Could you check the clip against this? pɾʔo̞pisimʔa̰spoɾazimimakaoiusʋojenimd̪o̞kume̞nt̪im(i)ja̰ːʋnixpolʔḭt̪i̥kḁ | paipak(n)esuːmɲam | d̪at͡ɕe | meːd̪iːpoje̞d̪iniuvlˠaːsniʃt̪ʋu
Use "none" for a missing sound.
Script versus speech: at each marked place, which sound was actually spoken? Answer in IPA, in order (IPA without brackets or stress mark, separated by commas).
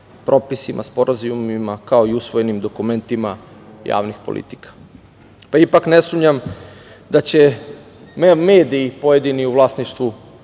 a, n